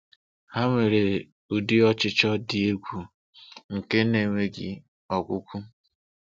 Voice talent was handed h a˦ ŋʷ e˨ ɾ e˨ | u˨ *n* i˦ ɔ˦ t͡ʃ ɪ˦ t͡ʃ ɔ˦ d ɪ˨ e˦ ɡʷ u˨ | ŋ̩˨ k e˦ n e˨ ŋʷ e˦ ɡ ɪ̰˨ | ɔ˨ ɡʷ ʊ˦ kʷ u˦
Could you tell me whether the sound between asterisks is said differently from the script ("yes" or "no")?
yes